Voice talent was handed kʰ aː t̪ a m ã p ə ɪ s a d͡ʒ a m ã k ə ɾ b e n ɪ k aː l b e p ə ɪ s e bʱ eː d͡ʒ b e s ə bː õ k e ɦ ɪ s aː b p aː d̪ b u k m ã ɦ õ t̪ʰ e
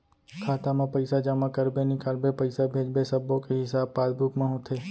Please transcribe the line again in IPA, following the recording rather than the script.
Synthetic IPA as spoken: kʰ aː t̪ a m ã p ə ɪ s a d͡ʒ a m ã k ə ɾ b e n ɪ k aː l b e p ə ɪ s a bʱ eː d͡ʒ b e s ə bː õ k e ɦ ɪ s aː b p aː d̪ b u k m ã ɦ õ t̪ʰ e